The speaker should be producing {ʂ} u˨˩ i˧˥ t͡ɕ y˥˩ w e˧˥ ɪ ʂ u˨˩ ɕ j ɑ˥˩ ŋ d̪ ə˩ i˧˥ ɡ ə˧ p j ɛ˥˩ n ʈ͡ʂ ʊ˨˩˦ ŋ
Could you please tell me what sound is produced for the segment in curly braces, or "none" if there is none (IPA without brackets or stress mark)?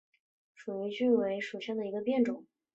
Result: ʂ